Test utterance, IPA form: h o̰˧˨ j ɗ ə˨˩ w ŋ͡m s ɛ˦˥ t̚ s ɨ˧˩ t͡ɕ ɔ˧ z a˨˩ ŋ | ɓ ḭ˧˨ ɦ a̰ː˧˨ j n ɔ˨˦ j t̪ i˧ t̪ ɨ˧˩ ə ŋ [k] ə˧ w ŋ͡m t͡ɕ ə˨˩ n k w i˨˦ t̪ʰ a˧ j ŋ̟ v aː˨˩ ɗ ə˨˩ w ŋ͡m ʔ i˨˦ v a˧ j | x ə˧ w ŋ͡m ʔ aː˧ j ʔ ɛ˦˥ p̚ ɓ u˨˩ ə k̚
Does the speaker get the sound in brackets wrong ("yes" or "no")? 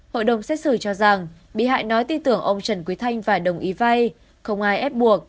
yes